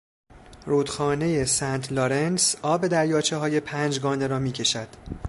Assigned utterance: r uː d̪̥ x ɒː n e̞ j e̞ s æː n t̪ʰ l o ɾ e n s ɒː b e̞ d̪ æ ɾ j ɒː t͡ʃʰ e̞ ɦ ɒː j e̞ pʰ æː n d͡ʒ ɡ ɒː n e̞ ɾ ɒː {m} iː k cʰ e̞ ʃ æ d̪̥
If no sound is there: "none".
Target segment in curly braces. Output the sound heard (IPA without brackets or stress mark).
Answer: m